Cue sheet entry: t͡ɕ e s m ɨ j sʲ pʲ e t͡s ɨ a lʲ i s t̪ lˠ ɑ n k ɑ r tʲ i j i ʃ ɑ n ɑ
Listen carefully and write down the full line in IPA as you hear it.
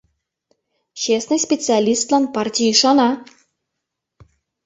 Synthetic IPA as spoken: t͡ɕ e s n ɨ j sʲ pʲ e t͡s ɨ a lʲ i s t̪ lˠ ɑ n p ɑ r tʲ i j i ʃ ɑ n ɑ